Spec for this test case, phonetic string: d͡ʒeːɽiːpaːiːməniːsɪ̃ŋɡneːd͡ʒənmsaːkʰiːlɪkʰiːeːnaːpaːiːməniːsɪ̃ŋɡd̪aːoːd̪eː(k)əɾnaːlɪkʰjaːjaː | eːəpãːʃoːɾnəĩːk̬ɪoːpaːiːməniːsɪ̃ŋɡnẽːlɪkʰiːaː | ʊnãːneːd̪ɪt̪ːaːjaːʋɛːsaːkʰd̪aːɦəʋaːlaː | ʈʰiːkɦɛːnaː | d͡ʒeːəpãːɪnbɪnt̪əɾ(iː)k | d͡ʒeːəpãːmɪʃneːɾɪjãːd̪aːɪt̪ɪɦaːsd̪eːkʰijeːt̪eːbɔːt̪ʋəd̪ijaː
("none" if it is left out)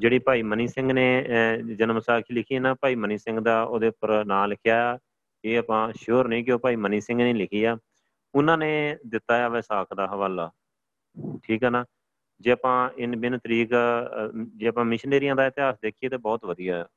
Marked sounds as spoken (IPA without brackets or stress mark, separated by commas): p, iː